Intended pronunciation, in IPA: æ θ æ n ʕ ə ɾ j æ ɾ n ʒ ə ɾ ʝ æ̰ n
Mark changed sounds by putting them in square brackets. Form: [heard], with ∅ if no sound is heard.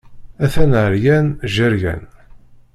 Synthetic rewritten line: æ θ æ n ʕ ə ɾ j æ [∅] n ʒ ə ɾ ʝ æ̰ n